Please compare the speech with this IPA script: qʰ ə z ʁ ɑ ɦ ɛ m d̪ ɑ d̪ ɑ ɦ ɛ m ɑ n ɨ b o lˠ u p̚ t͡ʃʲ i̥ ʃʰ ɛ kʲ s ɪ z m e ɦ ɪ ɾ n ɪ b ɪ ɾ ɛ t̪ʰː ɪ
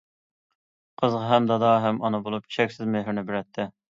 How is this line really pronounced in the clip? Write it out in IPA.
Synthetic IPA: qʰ ə z ʁ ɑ ɦ ɛ m d̪ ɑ d̪ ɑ ɦ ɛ m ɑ n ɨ b o lˠ u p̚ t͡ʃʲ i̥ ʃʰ ɛ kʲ s ɪ z m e ɦ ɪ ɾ n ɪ b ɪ ɾ ɛ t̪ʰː ɪ